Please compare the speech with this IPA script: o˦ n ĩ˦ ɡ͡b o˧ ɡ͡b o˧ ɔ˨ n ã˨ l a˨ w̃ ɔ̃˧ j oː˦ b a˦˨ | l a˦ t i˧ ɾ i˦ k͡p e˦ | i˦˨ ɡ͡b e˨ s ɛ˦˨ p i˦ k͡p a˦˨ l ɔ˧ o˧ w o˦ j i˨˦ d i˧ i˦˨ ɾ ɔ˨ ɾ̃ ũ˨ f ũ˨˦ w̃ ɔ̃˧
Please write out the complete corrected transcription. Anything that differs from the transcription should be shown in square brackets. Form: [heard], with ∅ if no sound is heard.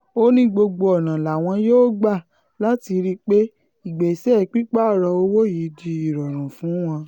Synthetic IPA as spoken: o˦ n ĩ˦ ɡ͡b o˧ ɡ͡b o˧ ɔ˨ n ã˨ l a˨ w̃ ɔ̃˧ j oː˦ [ɡ͡b] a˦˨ | l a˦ t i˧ ɾ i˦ k͡p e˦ | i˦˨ ɡ͡b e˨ s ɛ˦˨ [k͡p] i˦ k͡p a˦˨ [ɾ] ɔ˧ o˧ w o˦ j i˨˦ d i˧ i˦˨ ɾ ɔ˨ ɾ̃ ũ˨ f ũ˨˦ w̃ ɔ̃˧